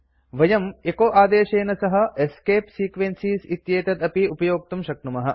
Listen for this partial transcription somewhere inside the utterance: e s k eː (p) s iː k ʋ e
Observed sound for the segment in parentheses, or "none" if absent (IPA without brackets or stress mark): p